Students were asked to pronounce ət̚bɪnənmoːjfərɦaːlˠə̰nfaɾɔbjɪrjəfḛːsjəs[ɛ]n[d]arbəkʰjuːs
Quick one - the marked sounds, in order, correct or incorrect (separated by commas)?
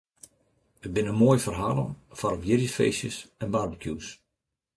correct, incorrect